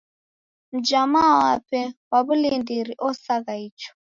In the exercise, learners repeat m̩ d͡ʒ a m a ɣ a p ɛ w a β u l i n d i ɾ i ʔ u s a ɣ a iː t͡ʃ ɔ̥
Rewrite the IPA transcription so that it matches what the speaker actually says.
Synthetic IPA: m̩ d͡ʒ a m a w a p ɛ w a β u l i n d i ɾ i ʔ ɔ s a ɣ a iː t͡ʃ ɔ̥